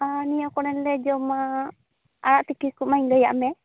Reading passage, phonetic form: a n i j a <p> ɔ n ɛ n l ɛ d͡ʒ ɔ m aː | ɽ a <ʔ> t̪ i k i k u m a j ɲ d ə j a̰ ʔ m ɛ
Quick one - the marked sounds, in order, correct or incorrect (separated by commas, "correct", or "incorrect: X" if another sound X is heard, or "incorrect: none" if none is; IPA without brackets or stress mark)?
incorrect: k, correct